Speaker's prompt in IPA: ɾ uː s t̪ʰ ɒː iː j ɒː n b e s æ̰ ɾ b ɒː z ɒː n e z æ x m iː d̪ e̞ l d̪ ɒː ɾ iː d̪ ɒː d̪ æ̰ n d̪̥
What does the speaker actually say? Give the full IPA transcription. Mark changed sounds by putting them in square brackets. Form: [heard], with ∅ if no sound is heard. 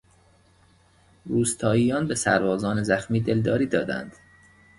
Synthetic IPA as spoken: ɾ uː s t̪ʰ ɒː iː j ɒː n b e s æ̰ ɾ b ɒː z ɒː n e z æ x m iː d̪ e̞ l d̪ ɒː ɾ iː d̪ ɒː d̪ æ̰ n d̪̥